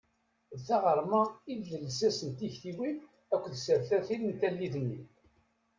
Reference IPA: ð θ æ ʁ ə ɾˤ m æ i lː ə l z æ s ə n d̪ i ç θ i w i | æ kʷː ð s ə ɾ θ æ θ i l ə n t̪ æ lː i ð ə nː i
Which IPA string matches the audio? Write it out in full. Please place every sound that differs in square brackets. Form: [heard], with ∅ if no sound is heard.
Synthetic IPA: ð θ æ ʁ ə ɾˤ m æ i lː ə l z æ s ə n [t̪] i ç θ i w i | æ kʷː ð s ə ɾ θ æ θ i l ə n t̪ æ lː i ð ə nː i